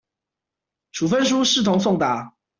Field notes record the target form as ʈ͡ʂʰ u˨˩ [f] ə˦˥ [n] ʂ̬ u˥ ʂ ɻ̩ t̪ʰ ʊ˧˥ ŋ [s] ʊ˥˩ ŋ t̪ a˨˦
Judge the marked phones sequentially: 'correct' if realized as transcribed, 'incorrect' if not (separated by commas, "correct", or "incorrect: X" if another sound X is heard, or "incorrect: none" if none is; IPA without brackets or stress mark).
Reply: correct, correct, correct